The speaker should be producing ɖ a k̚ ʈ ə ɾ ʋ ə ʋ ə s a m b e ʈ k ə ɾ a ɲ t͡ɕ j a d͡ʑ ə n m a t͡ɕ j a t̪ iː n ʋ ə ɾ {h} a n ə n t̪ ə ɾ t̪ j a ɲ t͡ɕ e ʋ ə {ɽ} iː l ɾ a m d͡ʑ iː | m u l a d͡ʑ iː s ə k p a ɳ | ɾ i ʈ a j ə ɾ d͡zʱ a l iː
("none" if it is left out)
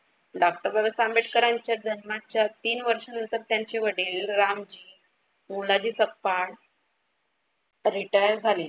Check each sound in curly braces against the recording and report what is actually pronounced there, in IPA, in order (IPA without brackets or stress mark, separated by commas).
ʂ, ɽ